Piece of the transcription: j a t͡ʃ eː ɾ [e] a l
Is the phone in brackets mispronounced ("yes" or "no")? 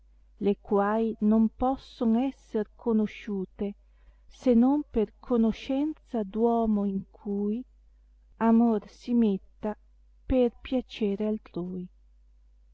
no